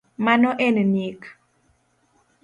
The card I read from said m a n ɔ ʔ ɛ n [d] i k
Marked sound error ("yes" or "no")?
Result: yes